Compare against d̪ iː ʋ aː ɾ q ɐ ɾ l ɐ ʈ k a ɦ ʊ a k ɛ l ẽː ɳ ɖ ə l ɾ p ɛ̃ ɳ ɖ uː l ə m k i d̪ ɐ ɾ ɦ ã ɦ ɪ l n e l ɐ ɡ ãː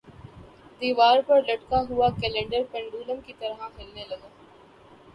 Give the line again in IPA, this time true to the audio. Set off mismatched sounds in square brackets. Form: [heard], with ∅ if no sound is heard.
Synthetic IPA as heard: d̪ iː ʋ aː ɾ [p] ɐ ɾ l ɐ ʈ k a ɦ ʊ a k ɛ l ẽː ɳ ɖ ə [∅] ɾ p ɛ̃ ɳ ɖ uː l ə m k i [t̪] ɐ ɾ ɦ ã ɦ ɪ l n e l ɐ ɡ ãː